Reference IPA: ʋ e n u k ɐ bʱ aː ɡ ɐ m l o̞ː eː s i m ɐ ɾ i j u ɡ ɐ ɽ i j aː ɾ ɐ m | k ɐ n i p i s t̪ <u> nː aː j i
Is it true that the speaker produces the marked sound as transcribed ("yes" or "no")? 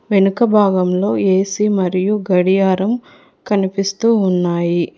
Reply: no